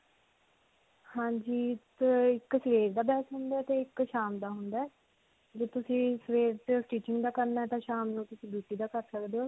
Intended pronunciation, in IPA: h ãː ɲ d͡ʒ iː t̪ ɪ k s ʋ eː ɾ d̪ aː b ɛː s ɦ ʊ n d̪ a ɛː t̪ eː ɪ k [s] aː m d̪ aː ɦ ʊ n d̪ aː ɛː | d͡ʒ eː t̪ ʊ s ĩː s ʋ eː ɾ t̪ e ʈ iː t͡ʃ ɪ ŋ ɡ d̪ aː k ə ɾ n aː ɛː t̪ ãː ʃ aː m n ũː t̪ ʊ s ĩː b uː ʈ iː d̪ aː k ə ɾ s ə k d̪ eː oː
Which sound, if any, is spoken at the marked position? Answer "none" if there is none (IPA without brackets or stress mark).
ʃ